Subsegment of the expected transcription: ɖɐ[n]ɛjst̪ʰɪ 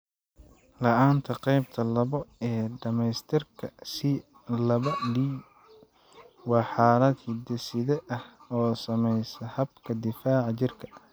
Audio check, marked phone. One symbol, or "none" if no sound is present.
m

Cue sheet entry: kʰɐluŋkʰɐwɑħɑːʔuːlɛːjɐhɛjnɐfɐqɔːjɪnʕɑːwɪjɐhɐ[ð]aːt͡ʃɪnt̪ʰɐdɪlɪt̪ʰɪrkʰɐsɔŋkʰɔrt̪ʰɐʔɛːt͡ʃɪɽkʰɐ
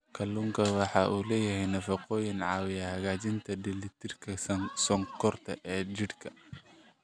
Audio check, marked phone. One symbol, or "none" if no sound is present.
ɣ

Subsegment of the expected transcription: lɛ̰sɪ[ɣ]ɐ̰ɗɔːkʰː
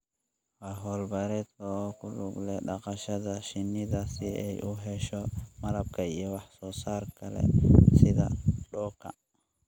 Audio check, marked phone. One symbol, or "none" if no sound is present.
ð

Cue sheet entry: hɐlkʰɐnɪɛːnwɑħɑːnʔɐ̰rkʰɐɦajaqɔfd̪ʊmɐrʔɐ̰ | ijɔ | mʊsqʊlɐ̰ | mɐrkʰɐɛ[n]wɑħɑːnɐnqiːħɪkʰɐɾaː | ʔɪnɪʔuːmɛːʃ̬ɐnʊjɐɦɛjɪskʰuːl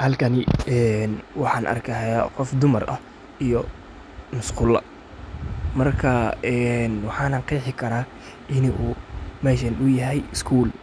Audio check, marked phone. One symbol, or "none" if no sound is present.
n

